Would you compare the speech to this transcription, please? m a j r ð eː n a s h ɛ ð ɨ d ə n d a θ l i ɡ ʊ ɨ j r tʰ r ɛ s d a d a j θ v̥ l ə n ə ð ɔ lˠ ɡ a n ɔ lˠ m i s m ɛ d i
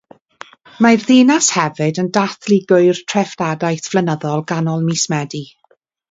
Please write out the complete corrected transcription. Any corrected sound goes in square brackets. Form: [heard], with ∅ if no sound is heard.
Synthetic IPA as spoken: m a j r ð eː n a s h ɛ [v] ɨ d ə n d a θ l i ɡ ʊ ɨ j r tʰ r ɛ [f] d a d a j θ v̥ l ə n ə ð ɔ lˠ ɡ a n ɔ lˠ m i s m ɛ d i

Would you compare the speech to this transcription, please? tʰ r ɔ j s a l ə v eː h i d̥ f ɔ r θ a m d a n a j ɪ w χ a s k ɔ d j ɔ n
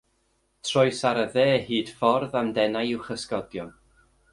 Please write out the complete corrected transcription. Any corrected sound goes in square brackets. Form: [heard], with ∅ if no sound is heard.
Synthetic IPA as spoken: tʰ r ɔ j s a [ɾ] ə [ð] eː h [iː] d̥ f ɔ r [ð] a m d [ɛ] n a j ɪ w χ [ə] s k ɔ d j ɔ n

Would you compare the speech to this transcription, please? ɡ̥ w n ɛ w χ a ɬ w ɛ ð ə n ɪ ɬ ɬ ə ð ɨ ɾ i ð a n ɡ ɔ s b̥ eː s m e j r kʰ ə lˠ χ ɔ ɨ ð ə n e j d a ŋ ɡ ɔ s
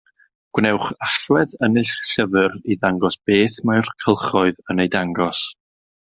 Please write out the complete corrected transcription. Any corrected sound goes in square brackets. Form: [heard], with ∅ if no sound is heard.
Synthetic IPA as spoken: ɡ̥ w n ɛ w χ a ɬ w ɛ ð ə n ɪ ɬ ɬ ə [v] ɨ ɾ i ð a [ŋ] ɡ ɔ s b̥ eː [θ] m [a] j r kʰ ə lˠ χ ɔ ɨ ð ə n e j d a ŋ ɡ ɔ s

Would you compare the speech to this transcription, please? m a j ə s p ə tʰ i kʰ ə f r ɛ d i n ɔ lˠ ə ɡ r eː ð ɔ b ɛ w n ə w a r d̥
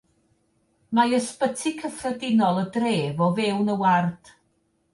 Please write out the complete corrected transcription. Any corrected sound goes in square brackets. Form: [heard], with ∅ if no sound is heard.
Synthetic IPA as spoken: m a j ə s p ə tʰ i kʰ ə f r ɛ d [ɪ] n ɔ lˠ ə [d] r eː [v] ɔ [v] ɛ w n ə w a r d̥

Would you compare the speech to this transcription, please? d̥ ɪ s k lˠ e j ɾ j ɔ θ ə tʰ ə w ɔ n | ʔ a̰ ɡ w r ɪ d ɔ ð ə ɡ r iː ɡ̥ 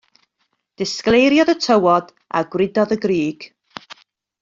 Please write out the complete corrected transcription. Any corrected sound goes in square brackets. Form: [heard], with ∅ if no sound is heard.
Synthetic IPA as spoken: d̥ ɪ s k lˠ e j ɾ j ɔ [ð] ə tʰ ə w ɔ [d] | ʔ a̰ ɡ w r ɪ d ɔ ð ə ɡ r iː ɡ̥

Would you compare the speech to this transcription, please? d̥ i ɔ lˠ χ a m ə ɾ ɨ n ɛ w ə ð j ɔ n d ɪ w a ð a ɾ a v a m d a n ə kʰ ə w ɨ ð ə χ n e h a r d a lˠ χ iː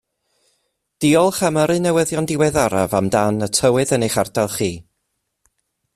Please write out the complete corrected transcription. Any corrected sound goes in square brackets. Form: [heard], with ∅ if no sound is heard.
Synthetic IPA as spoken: d̥ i ɔ lˠ χ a m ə ɾ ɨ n ɛ w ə ð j ɔ n d ɪ w [ɛ] ð a ɾ a v a m d a n ə [tʰ] ə w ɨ ð ə [∅] n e [χ] a r d a lˠ χ iː

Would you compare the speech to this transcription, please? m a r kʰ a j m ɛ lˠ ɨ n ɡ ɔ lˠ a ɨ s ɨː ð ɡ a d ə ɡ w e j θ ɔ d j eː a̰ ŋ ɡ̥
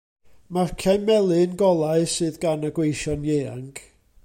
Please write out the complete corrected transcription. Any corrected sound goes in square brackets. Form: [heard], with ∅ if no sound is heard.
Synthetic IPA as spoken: m a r kʰ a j m ɛ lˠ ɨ n ɡ ɔ lˠ a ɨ s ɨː ð ɡ a [n] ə ɡ w e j [ʃ] ɔ [n] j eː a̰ ŋ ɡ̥

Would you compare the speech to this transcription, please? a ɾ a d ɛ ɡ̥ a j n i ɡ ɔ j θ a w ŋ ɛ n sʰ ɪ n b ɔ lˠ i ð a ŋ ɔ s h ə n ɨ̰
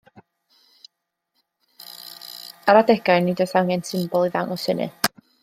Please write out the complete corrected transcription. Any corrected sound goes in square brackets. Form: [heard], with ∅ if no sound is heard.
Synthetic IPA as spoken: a ɾ a d ɛ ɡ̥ a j n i [d] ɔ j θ a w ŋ ɛ n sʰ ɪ [m] b ɔ lˠ i ð a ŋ ɔ s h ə n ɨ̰

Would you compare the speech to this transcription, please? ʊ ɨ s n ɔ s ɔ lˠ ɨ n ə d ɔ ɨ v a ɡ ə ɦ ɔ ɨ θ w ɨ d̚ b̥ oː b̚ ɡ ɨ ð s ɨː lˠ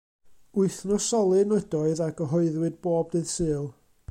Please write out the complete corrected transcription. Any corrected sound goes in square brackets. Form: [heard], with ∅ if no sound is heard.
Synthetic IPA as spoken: ʊ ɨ [θ] n ɔ s ɔ lˠ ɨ n ə d ɔ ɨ [ð] a ɡ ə ɦ ɔ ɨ [ð] w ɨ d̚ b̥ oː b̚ [d] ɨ ð s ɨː lˠ

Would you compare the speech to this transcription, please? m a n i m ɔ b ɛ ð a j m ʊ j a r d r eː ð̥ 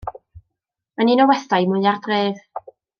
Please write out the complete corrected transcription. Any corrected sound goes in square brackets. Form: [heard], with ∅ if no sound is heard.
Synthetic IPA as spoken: m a n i [n] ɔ [w] ɛ [θ] a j m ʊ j a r d r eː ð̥

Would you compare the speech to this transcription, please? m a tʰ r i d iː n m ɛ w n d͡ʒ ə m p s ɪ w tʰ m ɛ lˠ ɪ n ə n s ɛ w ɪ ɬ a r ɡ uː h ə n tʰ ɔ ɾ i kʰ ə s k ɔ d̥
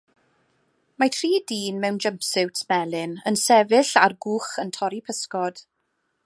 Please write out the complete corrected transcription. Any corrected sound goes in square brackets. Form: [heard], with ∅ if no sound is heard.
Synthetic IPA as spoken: m a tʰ r [iː] d iː n m ɛ w n d͡ʒ ə m p s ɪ w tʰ m ɛ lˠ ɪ n ə n s ɛ [v] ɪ ɬ a r ɡ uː [χ] ə n tʰ ɔ ɾ i [pʰ] ə s k ɔ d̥

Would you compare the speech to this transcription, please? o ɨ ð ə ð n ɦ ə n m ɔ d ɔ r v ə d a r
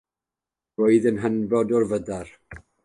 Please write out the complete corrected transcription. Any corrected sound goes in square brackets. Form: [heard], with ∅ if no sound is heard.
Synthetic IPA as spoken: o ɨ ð ə [∅] n ɦ ə n [b] ɔ d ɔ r v ə d a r

